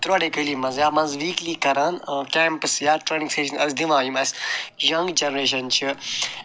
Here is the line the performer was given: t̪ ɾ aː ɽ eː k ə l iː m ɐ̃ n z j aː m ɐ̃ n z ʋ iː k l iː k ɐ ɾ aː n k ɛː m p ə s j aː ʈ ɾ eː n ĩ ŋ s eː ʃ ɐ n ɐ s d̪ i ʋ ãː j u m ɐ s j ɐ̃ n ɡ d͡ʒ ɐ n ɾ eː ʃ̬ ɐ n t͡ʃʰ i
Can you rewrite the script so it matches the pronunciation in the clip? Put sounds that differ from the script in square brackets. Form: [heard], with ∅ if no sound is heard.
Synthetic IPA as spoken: t̪ ɾ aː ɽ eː k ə l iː m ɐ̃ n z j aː m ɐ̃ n z ʋ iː k l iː k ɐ ɾ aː n k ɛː m p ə s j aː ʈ ɾ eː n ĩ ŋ s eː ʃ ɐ n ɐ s d̪ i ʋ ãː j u m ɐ s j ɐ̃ [ŋ] ɡ d͡ʒ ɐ n ɾ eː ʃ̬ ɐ n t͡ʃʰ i